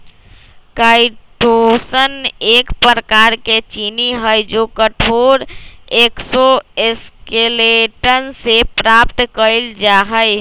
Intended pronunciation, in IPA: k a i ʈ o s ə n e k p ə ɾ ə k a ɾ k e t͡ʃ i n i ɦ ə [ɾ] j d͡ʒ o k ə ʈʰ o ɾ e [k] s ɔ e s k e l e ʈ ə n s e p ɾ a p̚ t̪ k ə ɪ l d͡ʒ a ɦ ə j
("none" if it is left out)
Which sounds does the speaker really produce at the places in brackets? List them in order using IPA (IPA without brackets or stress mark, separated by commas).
none, k